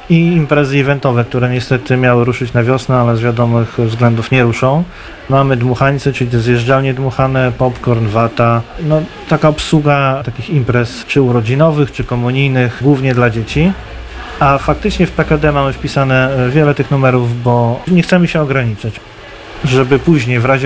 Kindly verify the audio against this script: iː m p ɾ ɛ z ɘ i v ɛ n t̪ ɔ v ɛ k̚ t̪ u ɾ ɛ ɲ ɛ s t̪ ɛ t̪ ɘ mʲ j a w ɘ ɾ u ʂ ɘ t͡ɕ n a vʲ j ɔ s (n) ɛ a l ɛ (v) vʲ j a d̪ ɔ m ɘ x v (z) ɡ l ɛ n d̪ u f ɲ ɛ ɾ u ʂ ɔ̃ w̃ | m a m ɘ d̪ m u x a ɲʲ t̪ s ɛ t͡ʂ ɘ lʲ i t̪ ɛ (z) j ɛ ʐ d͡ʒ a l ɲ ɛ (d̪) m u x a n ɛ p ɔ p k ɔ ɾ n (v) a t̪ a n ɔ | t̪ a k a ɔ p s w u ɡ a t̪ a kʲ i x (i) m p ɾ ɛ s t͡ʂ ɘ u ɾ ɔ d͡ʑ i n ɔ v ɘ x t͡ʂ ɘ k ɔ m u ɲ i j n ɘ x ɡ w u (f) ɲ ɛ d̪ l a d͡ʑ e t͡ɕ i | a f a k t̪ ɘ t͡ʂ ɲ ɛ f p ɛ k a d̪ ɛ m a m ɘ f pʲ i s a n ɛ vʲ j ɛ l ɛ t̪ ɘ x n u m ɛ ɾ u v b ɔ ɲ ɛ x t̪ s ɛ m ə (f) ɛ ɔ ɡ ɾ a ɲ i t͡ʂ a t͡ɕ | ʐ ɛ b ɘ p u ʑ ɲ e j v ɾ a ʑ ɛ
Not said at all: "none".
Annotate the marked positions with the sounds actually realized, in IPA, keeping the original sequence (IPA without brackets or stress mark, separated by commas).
n, z, z, z, d̪, v, i, v, ɕ